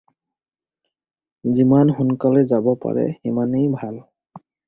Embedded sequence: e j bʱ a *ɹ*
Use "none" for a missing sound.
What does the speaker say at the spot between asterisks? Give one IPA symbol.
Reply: l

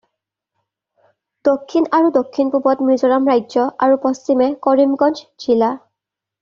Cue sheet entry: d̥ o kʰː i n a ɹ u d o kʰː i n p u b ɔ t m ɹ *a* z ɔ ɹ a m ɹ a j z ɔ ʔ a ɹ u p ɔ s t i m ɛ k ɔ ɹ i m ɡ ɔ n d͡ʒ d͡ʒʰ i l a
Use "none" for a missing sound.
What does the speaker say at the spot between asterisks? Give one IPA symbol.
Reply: i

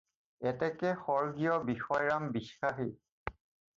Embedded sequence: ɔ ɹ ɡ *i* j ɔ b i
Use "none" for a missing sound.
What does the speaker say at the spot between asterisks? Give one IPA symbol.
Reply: i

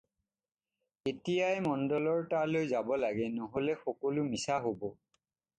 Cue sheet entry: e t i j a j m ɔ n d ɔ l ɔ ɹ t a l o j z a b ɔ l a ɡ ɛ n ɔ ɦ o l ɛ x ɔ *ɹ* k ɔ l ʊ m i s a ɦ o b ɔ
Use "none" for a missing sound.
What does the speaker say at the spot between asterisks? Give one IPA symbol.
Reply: none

